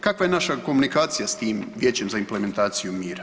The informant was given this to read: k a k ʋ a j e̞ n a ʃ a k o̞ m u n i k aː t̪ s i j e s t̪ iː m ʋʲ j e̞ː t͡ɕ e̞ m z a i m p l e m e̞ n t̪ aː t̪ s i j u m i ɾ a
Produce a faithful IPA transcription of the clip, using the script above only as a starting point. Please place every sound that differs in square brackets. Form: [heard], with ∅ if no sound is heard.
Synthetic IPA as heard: k a k ʋ a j e̞ n a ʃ a k o̞ m u n i k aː t̪ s i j [a] s t̪ iː m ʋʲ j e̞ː t͡ɕ e̞ m z a i m p l e m e̞ n t̪ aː t̪ s i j u m [iː] ɾ a